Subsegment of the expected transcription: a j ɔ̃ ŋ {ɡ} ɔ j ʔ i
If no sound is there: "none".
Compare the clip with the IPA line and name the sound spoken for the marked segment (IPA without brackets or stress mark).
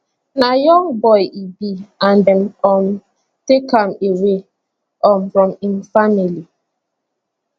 b